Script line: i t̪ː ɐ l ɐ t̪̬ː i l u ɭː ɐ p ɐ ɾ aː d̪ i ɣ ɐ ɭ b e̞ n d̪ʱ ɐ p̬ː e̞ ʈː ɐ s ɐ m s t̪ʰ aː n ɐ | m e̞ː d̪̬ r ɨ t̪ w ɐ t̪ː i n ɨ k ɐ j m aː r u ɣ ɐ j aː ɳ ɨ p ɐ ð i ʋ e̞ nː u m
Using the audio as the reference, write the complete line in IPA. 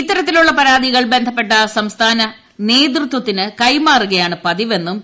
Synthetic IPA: i t̪ː ɐ ɾ ɐ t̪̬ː i l u ɭː ɐ p ɐ ɾ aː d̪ i ɣ ɐ ɭ b e̞ n d̪ʱ ɐ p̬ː e̞ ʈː ɐ s ɐ m s t̪ʰ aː n ɐ | n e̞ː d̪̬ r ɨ t̪ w ɐ t̪ː i n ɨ k ɐ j m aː r u ɣ ɐ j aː ɳ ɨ p ɐ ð i ʋ e̞ nː u m